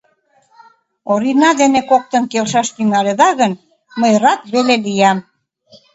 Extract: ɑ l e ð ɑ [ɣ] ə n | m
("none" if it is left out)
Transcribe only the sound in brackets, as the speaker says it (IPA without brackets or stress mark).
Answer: ɣ